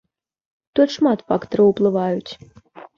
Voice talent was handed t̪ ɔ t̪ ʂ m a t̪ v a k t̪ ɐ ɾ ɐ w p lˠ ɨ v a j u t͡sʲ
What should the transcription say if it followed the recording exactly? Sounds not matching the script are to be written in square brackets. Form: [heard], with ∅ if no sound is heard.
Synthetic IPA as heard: t̪ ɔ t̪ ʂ m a t̪ [f] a k t̪ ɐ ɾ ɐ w p lˠ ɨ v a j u t͡sʲ